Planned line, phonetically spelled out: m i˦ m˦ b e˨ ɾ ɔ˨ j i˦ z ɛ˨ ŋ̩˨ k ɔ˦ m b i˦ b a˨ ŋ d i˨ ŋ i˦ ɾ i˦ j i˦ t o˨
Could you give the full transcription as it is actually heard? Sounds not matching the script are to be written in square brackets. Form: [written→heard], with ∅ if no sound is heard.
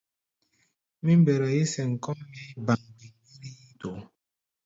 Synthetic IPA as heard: m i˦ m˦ b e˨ ɾ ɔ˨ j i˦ [z→s] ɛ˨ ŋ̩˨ k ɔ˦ m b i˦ b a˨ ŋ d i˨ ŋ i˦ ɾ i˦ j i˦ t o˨